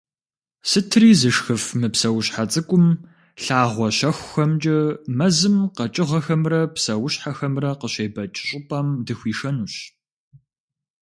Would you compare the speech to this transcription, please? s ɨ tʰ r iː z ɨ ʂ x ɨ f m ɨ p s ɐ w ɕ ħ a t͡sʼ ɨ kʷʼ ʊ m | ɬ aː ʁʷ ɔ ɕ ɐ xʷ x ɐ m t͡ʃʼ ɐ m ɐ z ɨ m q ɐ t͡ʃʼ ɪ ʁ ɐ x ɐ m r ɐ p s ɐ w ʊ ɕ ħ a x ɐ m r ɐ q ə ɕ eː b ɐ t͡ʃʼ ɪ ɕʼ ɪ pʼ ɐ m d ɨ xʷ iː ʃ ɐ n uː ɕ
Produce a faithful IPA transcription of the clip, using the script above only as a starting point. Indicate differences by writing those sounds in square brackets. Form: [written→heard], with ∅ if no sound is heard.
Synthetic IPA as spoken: s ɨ tʰ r iː z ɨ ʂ x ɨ f m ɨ p s ɐ w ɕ ħ a t͡sʼ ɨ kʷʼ ʊ m | ɬ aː ʁʷ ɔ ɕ ɐ xʷ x ɐ m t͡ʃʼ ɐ m ɐ z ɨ m q ɐ t͡ʃʼ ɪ ʁ ɐ x ɐ m r ɐ p s ɐ w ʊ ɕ ħ a x ɐ m r ɐ q ə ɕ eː b ɐ t͡ʃʼ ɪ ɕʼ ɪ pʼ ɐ m d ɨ xʷ iː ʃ ɐ n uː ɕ